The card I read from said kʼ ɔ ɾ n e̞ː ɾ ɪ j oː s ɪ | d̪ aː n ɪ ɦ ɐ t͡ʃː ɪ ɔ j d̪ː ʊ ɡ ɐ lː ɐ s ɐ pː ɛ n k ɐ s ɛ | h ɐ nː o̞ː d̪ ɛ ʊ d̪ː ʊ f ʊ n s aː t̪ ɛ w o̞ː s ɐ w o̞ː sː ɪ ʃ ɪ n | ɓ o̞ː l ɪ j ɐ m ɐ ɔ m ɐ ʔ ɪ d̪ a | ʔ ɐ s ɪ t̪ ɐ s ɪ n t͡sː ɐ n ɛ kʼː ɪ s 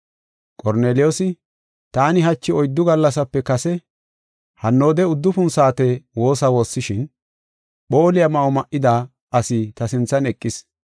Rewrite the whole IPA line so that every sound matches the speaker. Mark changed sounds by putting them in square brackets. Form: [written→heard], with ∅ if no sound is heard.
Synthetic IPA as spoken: kʼ ɔ ɾ n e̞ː [ɾ→l] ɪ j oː s ɪ | [d̪→t̪] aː n ɪ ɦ ɐ t͡ʃː ɪ ɔ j d̪ː ʊ ɡ ɐ lː ɐ s ɐ pː ɛ [n→∅] k ɐ s ɛ | h ɐ nː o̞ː d̪ ɛ ʊ d̪ː ʊ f ʊ n s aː t̪ ɛ w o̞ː s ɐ w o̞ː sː ɪ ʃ ɪ n | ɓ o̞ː l ɪ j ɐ m ɐ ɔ m ɐ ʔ ɪ d̪ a | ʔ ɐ s ɪ t̪ ɐ s ɪ n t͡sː ɐ n ɛ kʼː ɪ s